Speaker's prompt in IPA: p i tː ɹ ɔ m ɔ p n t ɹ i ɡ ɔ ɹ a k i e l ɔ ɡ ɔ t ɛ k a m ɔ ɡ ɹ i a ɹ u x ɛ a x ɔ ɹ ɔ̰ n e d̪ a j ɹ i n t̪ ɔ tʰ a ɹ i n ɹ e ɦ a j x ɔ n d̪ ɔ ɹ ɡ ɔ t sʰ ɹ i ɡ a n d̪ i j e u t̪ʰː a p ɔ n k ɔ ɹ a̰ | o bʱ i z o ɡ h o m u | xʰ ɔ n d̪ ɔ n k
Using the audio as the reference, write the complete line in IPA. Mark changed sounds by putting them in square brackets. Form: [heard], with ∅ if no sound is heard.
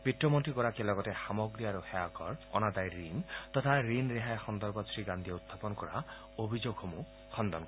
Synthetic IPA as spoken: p i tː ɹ ɔ m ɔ [∅] n t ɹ i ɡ ɔ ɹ a k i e l ɔ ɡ ɔ t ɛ [x] a m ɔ ɡ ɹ i a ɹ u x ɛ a [k] ɔ ɹ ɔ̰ n [a] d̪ a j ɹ i n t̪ ɔ tʰ a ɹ i n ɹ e ɦ a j x ɔ n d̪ ɔ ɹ [b] ɔ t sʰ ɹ i ɡ a n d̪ i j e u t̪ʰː a p ɔ n k ɔ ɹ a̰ | o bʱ i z o ɡ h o m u | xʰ ɔ n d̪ ɔ n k